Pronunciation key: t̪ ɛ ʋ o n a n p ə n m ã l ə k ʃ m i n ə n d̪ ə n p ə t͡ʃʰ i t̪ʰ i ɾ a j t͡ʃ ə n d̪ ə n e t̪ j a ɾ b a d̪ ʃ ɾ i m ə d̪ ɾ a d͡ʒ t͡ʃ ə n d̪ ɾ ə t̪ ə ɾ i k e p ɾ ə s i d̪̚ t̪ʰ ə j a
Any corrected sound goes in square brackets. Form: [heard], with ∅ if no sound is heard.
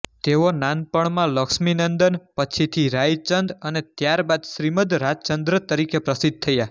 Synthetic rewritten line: t̪ [e] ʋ o n a n p ə [ɳ] m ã l ə k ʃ m i n ə n d̪ ə n p ə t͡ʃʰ i t̪ʰ i ɾ a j t͡ʃ ə n d̪ ə n e t̪ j a ɾ b a d̪ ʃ ɾ i m ə d̪ ɾ a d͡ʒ t͡ʃ ə n d̪ ɾ ə t̪ ə ɾ i k e p ɾ ə s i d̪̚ t̪ʰ ə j a